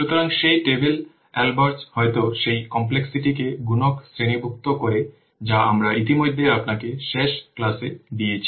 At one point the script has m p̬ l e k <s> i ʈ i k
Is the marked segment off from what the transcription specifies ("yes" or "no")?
no